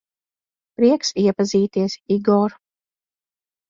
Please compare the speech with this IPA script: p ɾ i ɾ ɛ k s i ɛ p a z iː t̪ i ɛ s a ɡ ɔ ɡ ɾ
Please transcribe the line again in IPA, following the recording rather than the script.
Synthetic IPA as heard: p ɾ i ɛ k s i ɛ p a z iː t̪ i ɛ s i ɡ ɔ ɾ